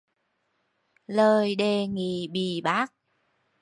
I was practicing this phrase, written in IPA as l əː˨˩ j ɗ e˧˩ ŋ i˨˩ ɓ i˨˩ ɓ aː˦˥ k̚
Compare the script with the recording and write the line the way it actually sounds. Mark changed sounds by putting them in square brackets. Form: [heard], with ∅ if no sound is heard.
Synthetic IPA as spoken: l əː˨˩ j ɗ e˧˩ ŋ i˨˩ ɓ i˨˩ ɓ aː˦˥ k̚